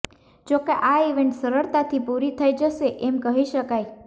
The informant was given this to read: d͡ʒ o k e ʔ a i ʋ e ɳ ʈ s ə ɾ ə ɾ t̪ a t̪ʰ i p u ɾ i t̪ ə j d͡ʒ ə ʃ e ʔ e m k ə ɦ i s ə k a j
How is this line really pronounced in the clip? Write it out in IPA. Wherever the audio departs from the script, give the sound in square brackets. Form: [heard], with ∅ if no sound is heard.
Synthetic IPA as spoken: d͡ʒ o k e ʔ a i ʋ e ɳ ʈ s ə ɾ ə ɾ t̪ a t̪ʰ i p u ɾ i [t̪ʰ] ə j d͡ʒ ə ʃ e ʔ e m k ə ɦ i [ʃ] ə k a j